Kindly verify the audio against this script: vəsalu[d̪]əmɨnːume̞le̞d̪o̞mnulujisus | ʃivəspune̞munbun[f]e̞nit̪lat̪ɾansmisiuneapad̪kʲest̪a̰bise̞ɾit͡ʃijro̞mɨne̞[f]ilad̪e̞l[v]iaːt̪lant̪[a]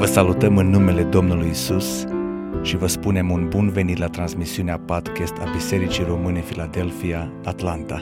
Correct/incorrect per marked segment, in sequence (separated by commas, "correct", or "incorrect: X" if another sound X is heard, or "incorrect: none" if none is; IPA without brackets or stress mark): incorrect: t̪, incorrect: v, correct, incorrect: f, correct